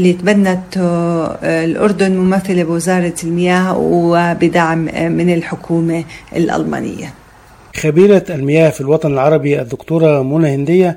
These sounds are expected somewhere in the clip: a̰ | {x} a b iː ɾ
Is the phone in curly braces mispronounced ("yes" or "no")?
no